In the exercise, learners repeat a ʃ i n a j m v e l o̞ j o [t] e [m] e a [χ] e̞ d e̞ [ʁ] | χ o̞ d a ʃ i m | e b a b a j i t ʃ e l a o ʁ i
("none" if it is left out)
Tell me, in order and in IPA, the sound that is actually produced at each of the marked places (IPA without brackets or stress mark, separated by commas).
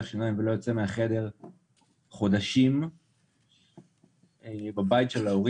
t͡s, m, χ, ʁ